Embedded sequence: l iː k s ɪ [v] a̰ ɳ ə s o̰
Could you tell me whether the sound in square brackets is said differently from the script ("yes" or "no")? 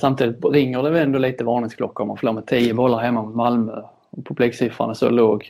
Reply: yes